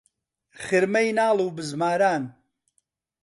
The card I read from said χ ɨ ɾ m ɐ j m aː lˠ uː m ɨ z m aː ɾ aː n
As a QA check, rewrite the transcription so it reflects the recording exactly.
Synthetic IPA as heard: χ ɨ ɾ m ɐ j n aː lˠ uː b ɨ z m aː ɾ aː n

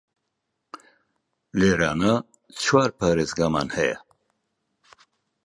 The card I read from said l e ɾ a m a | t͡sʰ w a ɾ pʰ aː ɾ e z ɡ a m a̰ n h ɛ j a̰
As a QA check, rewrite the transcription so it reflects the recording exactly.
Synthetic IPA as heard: l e ɾ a n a | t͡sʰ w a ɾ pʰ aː ɾ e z ɡ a m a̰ n h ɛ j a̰

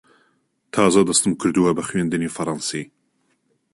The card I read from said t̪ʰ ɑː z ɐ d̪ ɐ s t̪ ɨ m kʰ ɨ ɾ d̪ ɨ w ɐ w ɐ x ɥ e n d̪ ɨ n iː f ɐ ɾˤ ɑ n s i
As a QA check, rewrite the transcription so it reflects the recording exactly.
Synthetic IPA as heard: t̪ʰ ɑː z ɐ d̪ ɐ s t̪ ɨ m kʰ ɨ ɾ d̪ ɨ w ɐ b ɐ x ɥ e n d̪ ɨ n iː f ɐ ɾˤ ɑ n s i

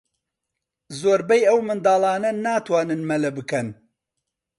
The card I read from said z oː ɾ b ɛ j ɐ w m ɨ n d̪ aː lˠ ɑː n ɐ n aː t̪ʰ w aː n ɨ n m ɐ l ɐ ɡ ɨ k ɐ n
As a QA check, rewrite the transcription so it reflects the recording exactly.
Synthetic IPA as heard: z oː ɾ b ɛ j ɐ w m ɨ n d̪ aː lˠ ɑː n ɐ n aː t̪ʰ w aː n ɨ n m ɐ l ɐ b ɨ k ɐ n

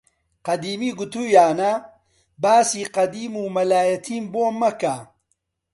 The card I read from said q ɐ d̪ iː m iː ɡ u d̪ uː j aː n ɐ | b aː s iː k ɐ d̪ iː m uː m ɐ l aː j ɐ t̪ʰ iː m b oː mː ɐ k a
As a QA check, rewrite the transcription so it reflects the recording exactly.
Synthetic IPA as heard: q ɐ d̪ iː m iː ɡ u t̪ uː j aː n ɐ | b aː s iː q ɐ d̪ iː m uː m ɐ l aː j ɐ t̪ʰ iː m b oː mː ɐ k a

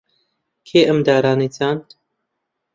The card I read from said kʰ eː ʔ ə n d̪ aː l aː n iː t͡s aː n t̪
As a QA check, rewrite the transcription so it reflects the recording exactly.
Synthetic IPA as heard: kʰ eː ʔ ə m d̪ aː ɾ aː n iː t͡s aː n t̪

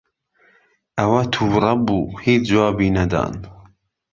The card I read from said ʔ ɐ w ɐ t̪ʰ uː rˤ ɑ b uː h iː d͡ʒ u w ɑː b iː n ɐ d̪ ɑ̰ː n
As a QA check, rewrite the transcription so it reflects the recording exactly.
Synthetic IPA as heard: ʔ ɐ w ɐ t̪ʰ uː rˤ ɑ b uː h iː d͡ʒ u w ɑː b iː n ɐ d̪ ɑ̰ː n

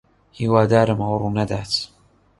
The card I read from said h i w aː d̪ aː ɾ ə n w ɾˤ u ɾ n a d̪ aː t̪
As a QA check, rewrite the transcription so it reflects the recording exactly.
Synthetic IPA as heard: h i w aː d̪ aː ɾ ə m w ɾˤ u n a d̪ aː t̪

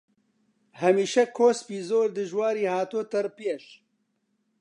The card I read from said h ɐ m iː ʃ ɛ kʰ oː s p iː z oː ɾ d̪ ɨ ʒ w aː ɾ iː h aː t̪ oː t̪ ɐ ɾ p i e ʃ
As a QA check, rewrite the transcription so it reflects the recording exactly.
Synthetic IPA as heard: h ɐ m iː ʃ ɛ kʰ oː s p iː z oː ɾ d̪ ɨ ʒ w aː ɾ iː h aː t̪ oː t̪ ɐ ɾ p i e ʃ

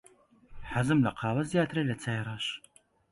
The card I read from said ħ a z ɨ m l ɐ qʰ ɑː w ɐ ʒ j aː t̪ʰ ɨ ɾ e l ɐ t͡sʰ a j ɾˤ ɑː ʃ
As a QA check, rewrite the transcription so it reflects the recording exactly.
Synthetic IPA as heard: ħ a z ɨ m l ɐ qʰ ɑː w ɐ z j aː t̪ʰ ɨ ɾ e l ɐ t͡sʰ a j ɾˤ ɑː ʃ

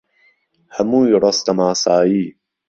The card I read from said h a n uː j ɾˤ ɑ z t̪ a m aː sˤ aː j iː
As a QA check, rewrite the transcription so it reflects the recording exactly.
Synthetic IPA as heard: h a m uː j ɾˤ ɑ s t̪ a m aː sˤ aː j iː

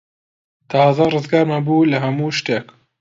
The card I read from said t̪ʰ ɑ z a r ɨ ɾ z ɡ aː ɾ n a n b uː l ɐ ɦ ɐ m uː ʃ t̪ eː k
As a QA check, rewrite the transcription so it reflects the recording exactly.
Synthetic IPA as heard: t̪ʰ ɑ z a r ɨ z ɡ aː ɾ m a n b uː l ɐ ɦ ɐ m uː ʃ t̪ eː k

